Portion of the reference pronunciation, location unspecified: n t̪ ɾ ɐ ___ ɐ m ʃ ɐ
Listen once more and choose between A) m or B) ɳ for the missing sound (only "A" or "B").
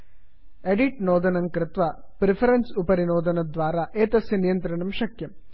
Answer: B